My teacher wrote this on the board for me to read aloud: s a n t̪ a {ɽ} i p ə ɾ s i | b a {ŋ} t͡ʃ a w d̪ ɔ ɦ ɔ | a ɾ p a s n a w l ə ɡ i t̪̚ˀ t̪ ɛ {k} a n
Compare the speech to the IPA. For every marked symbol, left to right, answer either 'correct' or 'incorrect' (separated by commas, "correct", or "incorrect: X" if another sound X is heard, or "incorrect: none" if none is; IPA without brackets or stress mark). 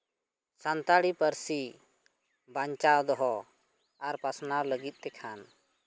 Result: correct, incorrect: ɲ, incorrect: kʰ